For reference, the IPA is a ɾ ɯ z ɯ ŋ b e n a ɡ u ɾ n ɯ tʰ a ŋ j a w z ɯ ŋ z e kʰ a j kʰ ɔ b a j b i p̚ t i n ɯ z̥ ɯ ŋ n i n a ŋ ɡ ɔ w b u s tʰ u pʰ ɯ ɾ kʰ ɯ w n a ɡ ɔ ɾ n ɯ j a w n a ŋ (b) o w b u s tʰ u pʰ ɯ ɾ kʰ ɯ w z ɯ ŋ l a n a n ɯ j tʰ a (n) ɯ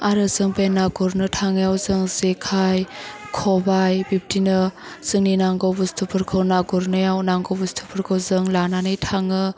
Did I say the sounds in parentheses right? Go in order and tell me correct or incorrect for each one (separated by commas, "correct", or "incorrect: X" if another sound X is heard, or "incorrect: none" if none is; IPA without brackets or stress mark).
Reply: incorrect: ɡ, incorrect: ŋ